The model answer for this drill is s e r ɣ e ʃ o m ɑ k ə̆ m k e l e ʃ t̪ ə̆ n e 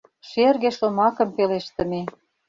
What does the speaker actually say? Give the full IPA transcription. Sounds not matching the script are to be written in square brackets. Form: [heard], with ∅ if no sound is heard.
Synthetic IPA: [ʃ] e r ɣ e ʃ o m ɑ k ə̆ m [p] e l e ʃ t̪ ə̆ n e